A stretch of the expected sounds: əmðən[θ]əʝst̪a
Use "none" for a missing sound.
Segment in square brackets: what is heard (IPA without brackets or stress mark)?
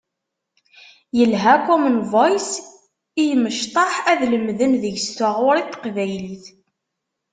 ð